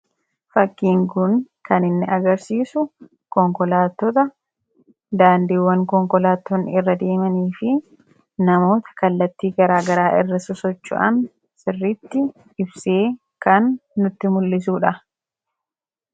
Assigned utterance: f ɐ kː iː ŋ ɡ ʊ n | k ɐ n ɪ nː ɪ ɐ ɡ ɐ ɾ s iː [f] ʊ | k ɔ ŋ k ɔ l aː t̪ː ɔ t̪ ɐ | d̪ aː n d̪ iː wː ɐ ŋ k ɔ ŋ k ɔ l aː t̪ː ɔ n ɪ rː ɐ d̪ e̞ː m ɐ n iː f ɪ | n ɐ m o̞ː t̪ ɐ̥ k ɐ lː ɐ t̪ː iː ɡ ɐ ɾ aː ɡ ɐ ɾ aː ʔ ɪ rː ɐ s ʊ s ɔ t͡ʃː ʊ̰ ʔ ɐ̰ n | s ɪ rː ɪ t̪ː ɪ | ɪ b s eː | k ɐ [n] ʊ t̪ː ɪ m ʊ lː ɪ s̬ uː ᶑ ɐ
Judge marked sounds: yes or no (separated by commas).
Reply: no, no